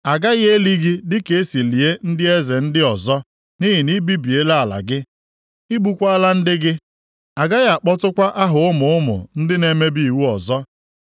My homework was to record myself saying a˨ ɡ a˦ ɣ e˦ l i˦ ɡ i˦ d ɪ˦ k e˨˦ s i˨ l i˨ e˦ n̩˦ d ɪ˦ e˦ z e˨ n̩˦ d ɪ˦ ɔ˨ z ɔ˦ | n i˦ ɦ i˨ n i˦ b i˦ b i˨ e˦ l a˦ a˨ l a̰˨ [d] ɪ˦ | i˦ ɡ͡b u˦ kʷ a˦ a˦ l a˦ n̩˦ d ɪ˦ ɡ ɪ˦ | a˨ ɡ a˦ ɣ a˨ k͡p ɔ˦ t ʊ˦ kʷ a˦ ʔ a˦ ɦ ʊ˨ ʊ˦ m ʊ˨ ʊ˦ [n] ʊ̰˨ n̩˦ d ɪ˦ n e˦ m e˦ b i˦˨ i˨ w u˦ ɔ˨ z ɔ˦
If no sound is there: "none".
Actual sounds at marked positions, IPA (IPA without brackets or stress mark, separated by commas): ɡ, m